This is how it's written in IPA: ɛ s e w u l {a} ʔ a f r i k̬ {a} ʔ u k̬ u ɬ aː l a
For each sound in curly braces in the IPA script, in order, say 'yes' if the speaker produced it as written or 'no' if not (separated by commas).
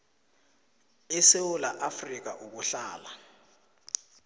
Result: yes, yes